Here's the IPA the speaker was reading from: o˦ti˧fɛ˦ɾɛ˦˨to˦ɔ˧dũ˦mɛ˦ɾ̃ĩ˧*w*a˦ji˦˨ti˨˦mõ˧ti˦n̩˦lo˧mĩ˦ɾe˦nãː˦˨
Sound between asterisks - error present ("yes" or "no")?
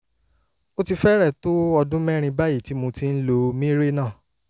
yes